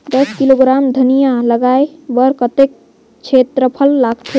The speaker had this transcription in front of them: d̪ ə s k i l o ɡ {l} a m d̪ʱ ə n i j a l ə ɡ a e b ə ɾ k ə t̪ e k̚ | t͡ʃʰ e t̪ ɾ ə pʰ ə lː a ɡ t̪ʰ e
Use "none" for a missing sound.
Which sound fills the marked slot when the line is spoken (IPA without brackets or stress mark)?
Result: ɾ